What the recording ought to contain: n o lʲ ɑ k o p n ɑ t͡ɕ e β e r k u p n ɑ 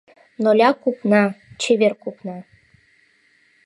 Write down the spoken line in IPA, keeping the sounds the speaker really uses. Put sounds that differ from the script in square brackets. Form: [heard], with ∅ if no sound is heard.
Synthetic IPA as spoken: n o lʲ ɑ k [u] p n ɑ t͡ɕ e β e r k u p n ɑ